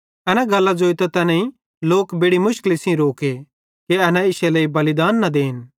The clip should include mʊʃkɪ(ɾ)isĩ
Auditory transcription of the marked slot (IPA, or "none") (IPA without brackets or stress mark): l